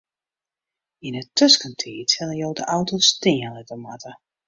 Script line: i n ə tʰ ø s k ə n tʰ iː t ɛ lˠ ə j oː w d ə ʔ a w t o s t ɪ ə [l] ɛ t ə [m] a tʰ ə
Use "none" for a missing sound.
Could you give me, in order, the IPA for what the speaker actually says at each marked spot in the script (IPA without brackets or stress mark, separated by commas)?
l, m